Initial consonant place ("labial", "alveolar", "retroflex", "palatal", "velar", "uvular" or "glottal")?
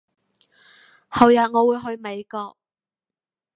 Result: glottal